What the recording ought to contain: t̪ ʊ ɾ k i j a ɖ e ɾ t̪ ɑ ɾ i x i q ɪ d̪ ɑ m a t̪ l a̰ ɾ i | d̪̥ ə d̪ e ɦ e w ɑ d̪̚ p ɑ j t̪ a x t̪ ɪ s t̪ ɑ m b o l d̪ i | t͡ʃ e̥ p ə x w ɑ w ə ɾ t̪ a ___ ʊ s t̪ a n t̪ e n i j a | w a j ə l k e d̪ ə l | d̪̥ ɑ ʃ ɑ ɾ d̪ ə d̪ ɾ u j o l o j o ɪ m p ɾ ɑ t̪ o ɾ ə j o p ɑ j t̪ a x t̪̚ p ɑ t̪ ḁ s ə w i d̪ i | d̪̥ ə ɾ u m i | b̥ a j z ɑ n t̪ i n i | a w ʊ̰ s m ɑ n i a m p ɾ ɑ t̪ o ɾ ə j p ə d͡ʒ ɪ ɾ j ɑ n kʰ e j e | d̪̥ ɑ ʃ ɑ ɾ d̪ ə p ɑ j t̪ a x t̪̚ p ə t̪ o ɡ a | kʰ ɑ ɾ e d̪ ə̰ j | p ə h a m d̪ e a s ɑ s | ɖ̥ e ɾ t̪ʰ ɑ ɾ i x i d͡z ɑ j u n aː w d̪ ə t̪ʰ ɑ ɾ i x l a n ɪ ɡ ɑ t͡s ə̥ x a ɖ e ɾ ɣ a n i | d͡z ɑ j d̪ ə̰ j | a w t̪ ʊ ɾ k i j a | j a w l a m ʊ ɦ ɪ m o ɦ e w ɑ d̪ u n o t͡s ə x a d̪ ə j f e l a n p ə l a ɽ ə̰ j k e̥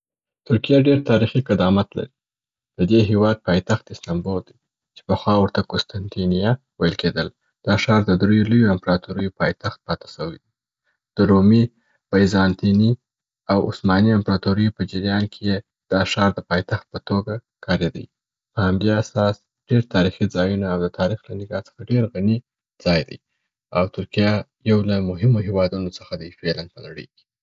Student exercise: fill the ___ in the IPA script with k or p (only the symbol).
k